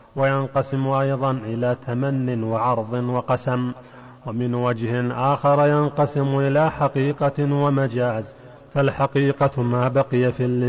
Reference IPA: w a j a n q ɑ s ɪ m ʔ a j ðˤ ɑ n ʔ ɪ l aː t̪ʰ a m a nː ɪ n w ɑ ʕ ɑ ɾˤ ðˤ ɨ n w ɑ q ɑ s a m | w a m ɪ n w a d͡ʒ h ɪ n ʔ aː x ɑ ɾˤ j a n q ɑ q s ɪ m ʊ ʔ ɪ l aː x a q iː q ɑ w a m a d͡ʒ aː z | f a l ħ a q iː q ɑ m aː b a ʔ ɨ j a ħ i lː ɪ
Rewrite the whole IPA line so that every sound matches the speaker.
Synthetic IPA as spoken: w a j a n q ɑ s ɪ m ʔ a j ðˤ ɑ n ʔ ɪ l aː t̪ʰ a m a nː ɪ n w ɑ ʕ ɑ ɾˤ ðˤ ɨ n w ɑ q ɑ s a m | w a m ɪ n w a d͡ʒ h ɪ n ʔ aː x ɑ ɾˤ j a n q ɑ s ɪ m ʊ ʔ ɪ l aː ħ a q iː q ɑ w a m a d͡ʒ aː z | f a l ħ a q iː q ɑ m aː b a q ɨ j a f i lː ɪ